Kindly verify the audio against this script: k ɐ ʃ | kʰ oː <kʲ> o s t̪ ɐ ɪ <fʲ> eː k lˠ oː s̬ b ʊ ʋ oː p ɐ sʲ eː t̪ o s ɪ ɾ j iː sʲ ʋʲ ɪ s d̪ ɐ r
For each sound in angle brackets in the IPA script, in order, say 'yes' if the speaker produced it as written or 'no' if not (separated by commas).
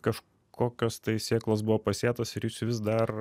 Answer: yes, no